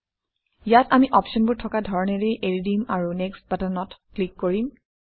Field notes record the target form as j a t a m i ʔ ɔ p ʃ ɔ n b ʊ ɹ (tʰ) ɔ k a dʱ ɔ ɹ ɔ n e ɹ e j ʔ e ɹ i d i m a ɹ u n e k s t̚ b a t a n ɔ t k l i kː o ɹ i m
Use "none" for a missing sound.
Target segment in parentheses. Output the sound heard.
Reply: tʰ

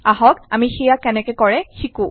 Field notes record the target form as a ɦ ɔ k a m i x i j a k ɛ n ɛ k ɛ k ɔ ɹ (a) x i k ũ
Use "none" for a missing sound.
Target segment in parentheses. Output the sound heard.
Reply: ɛ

